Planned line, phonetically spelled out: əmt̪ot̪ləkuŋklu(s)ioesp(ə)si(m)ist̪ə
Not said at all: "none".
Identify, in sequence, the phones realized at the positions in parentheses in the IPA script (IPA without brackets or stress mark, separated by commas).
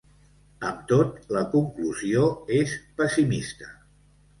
z, ə, m